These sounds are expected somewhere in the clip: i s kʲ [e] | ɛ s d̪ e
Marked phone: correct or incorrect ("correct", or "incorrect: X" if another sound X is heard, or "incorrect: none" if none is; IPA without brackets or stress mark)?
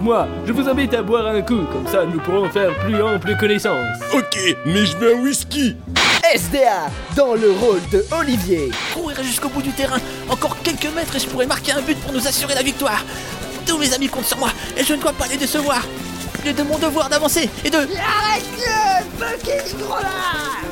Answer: incorrect: i